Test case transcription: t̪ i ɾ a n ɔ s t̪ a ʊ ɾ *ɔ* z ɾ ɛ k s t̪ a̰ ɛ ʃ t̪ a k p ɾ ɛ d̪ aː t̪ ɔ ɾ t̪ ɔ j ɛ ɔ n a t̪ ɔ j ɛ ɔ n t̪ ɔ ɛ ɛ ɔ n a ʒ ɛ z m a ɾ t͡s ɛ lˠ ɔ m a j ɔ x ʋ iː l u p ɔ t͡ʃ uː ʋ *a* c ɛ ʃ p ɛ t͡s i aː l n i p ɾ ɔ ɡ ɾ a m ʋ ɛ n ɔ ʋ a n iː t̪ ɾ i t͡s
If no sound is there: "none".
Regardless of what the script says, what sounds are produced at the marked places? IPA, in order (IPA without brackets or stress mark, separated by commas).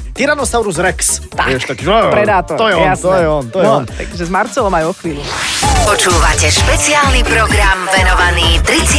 u, a